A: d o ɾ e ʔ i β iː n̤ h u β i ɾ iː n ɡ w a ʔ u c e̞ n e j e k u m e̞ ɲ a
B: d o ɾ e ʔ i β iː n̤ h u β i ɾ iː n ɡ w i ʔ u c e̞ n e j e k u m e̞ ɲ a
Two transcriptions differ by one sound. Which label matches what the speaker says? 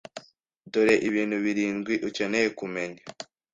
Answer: B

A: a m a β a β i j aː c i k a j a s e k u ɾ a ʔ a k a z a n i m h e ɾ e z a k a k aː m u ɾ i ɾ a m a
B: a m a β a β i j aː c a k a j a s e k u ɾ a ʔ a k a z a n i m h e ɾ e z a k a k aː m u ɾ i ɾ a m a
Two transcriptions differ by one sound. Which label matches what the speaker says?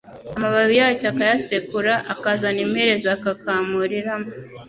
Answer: B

